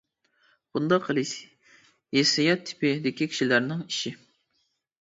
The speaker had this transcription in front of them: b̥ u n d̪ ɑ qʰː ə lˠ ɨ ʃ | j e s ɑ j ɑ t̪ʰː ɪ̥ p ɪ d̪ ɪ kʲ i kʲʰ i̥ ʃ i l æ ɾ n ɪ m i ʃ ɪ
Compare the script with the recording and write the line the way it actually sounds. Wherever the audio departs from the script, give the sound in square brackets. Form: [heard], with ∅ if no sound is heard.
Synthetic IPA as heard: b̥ u n d̪ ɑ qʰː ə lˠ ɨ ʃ | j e s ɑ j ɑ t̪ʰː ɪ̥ p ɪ d̪ ɪ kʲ i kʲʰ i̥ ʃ i l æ ɾ n ɪ [ŋ] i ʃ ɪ